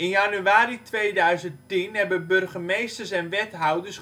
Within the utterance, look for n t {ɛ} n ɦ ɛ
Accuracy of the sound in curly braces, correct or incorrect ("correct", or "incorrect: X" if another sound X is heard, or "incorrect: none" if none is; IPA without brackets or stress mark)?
incorrect: i